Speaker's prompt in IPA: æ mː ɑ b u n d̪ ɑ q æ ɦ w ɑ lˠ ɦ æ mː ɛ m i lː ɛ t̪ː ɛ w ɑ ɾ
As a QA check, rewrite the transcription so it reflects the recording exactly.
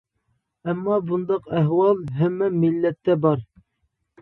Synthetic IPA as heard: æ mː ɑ b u n d̪ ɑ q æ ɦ w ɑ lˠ ɦ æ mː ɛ m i lː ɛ t̪ː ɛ b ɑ ɾ